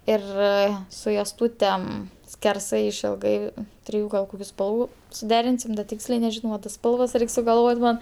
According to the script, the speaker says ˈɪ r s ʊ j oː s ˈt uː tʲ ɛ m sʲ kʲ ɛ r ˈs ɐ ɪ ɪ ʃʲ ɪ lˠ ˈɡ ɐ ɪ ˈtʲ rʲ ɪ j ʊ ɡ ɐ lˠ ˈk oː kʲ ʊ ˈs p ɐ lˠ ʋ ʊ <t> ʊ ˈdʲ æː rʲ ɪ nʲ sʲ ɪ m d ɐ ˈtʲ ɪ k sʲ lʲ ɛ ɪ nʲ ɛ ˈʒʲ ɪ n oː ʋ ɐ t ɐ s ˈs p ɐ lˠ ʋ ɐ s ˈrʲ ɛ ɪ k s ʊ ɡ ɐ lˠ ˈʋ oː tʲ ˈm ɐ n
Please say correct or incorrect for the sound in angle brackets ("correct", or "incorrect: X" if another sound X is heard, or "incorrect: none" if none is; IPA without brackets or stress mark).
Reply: incorrect: s